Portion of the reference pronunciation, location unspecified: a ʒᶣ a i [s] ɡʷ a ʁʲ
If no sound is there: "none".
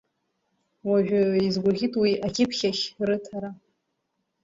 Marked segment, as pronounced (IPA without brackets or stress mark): z